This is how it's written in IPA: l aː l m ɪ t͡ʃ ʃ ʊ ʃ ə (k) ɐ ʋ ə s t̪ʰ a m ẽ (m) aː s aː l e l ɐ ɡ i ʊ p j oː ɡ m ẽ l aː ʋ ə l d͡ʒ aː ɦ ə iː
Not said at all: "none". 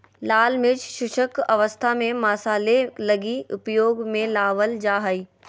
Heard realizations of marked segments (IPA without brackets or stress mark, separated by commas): k, m